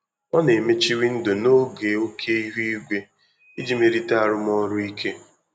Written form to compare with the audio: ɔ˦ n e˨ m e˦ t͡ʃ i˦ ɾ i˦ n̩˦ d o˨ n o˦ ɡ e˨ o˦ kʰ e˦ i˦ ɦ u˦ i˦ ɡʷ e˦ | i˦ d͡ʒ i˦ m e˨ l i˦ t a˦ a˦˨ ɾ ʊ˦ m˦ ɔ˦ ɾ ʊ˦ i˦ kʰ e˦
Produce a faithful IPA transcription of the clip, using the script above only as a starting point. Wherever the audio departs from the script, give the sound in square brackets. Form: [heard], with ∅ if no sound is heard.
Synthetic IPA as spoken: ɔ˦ n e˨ m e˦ t͡ʃ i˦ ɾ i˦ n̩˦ d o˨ n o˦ ɡ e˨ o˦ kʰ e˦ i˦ ɦ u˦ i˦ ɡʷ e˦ | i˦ d͡ʒ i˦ m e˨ [ɾ] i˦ t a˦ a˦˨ ɾ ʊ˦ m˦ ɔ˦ ɾ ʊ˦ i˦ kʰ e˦

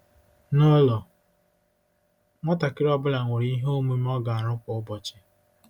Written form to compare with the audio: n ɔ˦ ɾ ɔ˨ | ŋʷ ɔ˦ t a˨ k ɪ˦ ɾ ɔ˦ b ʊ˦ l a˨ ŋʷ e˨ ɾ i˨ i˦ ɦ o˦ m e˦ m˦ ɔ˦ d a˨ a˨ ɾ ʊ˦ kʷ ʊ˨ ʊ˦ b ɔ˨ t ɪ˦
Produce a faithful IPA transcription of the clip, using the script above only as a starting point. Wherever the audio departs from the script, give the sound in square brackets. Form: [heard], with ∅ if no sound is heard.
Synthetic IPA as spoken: n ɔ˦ [l] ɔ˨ | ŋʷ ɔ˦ t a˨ k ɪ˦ ɾ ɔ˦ b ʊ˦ l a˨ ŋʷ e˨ ɾ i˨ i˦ ɦ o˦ m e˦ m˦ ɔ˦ [ɡ] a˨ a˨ ɾ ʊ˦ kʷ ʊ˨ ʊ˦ b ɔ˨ [t͡ʃ] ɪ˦

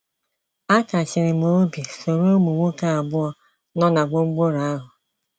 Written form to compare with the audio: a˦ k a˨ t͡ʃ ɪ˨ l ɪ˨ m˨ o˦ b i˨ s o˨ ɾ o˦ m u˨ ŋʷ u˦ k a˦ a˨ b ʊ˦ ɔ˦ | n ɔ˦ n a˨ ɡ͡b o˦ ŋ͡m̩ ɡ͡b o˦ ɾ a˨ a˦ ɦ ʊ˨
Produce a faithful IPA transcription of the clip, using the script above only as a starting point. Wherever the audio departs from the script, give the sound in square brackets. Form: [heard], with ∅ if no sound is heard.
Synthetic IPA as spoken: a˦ k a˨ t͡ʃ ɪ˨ [ɾ] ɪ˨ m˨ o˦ b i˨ s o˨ ɾ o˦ m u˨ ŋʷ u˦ k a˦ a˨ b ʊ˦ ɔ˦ | n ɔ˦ n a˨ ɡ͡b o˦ ŋ͡m̩ ɡ͡b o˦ ɾ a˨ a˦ ɦ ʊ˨

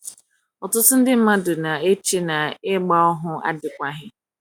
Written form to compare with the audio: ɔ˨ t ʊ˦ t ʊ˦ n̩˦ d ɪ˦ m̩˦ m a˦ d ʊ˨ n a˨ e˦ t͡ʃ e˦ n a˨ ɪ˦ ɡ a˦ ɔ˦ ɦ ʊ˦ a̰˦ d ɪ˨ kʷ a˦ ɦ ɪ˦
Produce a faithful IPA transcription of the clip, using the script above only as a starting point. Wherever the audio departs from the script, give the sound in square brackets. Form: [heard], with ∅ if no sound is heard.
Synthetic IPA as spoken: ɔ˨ t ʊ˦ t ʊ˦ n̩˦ d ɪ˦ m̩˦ m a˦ d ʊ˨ n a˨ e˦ t͡ʃ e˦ n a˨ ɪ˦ [ɡ͡b] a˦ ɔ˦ ɦ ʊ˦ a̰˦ d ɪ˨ kʷ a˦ ɦ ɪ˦

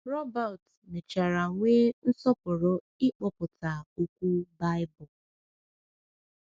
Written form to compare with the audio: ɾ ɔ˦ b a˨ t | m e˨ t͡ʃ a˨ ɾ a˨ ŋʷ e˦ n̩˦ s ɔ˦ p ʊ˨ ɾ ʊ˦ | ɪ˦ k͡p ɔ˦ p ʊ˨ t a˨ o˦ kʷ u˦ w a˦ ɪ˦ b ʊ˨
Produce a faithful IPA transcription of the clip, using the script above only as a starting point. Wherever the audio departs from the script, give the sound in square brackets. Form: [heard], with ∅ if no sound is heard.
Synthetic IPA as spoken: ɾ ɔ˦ b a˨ t | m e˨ t͡ʃ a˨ ɾ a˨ ŋʷ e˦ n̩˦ s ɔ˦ p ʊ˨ ɾ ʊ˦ | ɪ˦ k͡p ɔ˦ p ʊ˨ t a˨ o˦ kʷ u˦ [b] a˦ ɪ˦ b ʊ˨

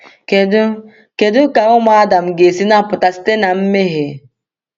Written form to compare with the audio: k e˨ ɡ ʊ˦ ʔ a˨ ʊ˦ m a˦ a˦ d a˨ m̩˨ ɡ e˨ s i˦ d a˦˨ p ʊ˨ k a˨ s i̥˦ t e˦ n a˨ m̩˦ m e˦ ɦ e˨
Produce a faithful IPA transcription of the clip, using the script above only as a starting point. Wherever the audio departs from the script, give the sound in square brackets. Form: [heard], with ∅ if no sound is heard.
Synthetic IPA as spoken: k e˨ [d] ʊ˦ [k] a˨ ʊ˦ m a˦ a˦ d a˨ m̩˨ ɡ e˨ s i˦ [n] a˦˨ p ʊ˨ [t] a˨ s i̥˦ t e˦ n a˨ m̩˦ m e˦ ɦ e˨

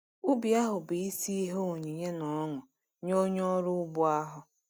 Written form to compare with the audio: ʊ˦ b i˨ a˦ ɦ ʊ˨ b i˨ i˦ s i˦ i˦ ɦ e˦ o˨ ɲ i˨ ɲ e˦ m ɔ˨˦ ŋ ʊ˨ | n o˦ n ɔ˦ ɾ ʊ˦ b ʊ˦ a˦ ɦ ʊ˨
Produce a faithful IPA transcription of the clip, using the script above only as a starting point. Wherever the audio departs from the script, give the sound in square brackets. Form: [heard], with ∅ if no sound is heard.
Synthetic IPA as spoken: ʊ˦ b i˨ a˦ ɦ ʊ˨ b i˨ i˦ s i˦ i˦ ɦ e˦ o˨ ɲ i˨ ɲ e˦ [n] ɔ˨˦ ŋ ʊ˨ | [ɲ] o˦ [ɲ] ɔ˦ ɾ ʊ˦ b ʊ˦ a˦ ɦ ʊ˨

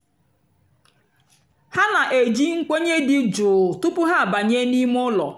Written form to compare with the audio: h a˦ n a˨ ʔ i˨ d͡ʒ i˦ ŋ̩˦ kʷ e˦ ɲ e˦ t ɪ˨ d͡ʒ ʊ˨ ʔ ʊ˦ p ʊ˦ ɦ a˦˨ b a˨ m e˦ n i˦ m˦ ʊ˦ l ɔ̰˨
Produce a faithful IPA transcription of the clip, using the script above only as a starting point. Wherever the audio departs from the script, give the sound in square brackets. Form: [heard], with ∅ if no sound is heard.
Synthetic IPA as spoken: h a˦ n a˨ ʔ [e˨] d͡ʒ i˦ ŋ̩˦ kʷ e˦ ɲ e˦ [d] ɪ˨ d͡ʒ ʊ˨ [t] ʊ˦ p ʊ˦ ɦ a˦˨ b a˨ [ɲ] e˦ n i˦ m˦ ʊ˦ l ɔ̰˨

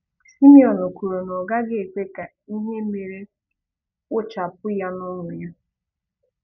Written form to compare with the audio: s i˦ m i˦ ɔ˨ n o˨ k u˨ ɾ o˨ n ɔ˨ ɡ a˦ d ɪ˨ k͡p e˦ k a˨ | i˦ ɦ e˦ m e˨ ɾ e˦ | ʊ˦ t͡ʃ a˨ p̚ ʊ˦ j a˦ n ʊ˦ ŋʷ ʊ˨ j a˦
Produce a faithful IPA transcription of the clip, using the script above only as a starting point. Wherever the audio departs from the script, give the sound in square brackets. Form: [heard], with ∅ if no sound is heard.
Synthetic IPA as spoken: s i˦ m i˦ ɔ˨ n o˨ k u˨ ɾ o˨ n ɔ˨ ɡ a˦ [ɡ] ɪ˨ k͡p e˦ k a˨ | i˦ ɦ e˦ m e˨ ɾ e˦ | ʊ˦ t͡ʃ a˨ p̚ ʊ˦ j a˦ n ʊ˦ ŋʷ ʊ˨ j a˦

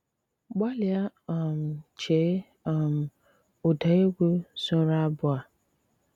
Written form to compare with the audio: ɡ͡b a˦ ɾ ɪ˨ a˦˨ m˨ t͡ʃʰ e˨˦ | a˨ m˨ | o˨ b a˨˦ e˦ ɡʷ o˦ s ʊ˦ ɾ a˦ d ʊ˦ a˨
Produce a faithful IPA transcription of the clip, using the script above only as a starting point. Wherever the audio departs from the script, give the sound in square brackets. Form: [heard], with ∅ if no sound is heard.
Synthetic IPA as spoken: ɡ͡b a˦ [l] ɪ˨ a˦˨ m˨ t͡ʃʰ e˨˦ | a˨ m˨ | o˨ [d] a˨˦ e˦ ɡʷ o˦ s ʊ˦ ɾ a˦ [b] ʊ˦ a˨

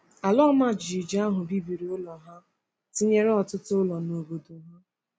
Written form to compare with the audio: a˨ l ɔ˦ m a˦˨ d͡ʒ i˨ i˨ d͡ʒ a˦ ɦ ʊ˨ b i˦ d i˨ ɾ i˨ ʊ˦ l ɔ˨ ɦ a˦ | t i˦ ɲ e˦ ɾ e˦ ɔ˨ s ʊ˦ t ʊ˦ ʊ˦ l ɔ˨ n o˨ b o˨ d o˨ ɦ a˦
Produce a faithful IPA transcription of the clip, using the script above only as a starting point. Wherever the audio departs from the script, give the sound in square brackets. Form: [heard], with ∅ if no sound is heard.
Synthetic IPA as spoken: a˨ l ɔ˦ m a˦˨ d͡ʒ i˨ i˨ d͡ʒ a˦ ɦ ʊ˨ b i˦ [b] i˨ ɾ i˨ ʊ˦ l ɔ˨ ɦ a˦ | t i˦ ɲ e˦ ɾ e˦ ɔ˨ [t] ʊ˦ t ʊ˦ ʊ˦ l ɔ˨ n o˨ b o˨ d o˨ ɦ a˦

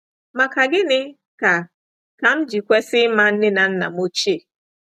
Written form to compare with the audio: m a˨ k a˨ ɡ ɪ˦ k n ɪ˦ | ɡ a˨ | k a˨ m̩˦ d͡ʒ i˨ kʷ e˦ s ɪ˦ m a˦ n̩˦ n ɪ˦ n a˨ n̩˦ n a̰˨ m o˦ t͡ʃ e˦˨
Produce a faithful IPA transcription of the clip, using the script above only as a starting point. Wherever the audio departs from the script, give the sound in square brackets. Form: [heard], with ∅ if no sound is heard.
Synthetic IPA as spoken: m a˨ k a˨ ɡ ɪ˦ [∅] n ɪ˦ | [k] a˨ | k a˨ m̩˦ d͡ʒ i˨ kʷ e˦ s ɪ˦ m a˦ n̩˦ n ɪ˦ n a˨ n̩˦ n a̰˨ m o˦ t͡ʃ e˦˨

